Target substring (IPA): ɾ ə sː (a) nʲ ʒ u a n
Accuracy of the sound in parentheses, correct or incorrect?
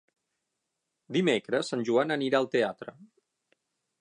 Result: correct